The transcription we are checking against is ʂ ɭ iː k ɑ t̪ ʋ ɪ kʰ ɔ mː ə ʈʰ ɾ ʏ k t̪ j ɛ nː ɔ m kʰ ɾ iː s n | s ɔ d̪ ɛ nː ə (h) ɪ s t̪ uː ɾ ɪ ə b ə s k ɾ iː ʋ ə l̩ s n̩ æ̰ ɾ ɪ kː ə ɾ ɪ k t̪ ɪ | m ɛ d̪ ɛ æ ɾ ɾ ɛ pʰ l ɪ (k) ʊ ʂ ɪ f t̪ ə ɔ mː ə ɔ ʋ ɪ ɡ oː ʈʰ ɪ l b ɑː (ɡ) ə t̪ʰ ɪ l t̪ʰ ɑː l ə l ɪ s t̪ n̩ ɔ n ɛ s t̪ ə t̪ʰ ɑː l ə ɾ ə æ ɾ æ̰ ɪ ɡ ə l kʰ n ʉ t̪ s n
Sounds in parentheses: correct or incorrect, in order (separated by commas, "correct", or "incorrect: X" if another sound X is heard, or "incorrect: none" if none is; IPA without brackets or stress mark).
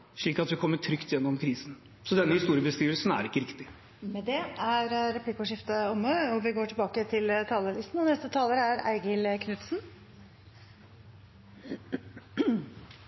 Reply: correct, correct, incorrect: k